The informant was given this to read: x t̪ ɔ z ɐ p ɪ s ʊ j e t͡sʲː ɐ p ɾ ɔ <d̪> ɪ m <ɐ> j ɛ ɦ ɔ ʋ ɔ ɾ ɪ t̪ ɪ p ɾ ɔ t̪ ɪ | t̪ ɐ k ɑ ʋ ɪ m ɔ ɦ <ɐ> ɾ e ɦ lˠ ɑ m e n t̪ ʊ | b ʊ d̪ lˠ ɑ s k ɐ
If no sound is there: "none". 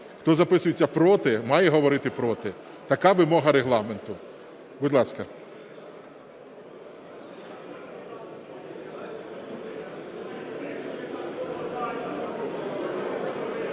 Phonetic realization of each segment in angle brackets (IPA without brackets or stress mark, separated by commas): t̪, ɑ, ɐ